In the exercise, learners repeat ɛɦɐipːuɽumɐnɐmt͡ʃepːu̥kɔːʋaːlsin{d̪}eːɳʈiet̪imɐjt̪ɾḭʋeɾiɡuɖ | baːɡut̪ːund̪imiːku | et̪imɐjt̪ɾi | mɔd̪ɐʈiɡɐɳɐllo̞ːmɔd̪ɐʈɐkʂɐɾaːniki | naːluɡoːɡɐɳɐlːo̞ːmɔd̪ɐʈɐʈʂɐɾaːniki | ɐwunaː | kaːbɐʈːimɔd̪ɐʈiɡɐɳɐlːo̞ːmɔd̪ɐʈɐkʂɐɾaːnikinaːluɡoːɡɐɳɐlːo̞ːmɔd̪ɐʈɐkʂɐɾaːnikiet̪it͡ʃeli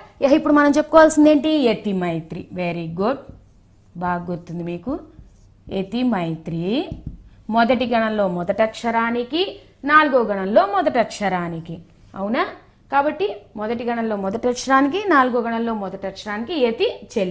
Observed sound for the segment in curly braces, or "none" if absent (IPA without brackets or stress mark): d̪